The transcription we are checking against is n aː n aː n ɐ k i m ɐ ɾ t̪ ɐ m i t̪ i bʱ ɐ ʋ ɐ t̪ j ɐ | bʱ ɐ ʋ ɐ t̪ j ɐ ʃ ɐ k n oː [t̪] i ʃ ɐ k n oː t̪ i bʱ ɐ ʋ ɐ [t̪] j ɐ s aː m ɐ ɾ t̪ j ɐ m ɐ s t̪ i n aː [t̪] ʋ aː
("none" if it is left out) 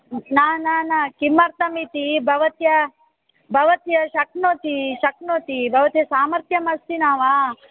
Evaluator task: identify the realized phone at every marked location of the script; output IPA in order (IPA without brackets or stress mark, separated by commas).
t̪, t̪, none